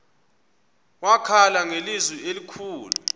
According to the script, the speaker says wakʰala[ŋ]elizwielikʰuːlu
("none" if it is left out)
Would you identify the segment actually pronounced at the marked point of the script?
ŋ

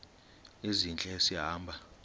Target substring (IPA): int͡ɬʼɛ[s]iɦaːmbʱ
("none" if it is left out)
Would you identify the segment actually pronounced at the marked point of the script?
s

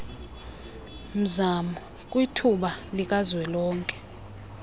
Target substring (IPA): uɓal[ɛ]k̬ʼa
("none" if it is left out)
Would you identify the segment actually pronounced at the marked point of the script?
i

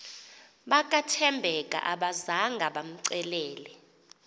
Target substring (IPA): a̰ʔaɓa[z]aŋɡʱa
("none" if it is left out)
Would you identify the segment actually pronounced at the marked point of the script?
z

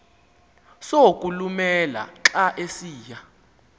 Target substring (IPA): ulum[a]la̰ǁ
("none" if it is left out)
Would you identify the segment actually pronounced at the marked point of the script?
ɛ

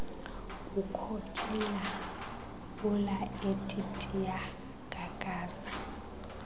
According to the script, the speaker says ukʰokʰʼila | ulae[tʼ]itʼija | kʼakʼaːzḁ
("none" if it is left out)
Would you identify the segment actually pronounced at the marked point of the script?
tʼ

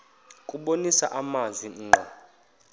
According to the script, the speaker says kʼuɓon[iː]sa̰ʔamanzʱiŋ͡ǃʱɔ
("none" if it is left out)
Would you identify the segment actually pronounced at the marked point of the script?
i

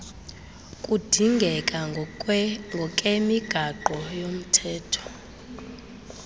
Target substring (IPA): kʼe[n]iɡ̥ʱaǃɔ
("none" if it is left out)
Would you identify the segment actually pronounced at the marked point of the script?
m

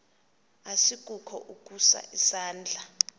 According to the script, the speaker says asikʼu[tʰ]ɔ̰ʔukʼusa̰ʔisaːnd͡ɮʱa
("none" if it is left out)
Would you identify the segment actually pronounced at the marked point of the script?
kʰ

